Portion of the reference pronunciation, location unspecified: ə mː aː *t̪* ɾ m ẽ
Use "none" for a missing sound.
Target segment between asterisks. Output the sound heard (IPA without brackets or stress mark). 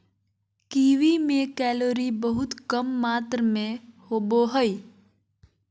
t̪